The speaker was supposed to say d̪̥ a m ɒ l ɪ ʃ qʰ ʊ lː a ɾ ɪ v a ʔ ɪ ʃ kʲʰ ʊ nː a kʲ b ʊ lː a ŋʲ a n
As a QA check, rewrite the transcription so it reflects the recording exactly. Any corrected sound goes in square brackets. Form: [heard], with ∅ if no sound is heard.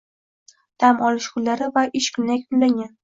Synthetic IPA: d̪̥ a m ɒ l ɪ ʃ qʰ ʊ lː a ɾ ɪ v a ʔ ɪ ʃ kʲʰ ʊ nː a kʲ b ʊ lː a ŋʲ a n